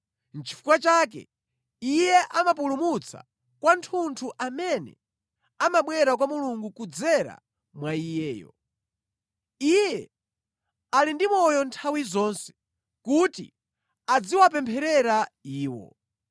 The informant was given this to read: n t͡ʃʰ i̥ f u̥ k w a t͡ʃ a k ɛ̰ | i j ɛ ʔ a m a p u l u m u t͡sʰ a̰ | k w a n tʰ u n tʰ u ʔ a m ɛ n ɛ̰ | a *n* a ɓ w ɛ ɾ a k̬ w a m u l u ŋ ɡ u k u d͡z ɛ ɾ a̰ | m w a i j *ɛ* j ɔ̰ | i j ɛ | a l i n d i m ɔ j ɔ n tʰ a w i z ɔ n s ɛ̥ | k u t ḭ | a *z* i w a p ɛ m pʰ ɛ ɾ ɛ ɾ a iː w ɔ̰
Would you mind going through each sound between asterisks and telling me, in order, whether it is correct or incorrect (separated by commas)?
incorrect, incorrect, incorrect